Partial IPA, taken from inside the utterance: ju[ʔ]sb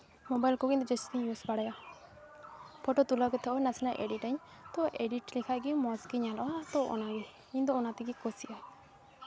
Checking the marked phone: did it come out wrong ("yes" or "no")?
yes